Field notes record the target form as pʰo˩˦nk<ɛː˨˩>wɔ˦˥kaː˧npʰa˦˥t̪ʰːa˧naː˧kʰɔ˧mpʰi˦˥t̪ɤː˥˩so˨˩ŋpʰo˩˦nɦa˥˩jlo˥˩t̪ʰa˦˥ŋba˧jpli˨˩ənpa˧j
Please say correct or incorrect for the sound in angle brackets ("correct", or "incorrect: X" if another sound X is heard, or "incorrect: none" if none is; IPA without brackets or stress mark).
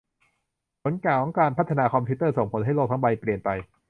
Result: incorrect: aː˨˩